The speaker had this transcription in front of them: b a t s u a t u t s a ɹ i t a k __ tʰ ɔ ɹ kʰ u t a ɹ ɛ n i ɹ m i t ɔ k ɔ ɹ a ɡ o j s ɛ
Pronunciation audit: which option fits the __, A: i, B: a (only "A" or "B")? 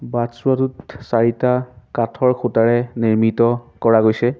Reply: B